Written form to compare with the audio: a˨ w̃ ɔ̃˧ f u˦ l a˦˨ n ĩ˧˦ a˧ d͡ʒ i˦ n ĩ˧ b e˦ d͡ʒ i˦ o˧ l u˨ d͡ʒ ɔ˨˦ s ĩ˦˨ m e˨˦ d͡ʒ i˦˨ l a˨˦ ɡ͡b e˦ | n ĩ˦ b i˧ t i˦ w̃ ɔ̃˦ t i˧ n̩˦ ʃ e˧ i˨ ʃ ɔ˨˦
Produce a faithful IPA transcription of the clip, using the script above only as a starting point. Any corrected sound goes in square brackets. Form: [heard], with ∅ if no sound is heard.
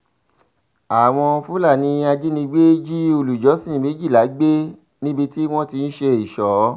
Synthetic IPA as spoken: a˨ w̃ ɔ̃˧ f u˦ l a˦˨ n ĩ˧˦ a˧ d͡ʒ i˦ n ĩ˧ [ɡ͡b] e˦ d͡ʒ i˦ o˧ l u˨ d͡ʒ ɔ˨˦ s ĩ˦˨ m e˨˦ d͡ʒ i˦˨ l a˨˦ ɡ͡b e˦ | n ĩ˦ b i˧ t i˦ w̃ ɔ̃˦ t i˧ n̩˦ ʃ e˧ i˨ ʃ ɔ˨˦